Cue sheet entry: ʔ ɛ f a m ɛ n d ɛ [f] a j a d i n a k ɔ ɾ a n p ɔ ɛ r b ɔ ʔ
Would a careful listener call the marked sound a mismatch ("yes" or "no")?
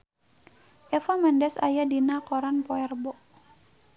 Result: yes